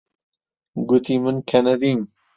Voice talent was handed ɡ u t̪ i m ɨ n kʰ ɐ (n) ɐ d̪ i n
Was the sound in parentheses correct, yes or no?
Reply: yes